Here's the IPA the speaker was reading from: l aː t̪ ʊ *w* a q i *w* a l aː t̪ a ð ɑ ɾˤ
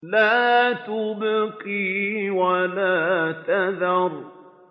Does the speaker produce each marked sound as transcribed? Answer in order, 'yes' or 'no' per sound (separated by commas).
no, yes